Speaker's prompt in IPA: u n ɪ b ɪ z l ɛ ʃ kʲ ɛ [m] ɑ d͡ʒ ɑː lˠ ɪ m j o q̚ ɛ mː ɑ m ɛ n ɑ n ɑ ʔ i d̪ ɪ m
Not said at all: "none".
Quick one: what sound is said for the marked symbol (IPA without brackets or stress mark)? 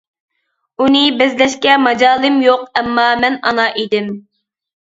m